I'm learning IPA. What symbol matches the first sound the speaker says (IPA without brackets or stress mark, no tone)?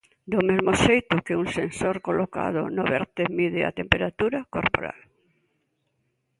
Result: d̪